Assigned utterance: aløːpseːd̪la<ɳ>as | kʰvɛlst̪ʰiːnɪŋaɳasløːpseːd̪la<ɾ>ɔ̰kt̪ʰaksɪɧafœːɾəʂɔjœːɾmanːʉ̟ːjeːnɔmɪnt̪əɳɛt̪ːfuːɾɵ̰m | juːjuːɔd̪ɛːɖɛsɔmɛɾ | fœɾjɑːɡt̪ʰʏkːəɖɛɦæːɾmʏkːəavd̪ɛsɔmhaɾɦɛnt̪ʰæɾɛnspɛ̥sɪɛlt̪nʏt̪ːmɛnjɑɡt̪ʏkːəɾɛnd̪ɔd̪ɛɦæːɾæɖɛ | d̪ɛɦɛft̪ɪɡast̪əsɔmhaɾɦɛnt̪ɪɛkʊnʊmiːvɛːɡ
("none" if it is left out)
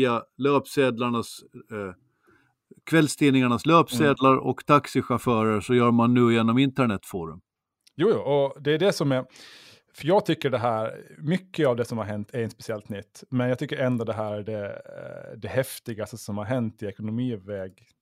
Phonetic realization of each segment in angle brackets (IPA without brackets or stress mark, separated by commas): ɳ, ɾ